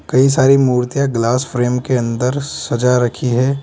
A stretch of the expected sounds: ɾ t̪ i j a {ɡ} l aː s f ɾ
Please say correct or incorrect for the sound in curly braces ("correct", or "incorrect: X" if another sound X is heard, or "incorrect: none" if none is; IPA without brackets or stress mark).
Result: correct